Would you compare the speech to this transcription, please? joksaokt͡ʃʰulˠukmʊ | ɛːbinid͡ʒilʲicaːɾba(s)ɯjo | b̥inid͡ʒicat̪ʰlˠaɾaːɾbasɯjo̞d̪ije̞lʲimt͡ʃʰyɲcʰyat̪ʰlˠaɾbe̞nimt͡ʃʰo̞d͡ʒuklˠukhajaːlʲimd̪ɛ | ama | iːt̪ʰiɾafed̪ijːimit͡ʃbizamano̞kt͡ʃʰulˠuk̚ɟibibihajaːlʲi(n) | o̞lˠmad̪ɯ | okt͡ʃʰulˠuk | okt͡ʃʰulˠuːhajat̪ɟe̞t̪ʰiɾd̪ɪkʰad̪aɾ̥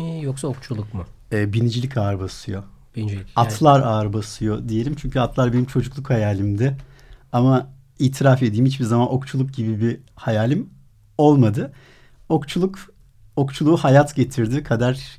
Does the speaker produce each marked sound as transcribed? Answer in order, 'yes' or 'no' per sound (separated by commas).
yes, no